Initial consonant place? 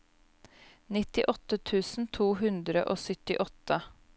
alveolar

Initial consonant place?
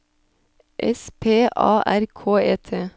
glottal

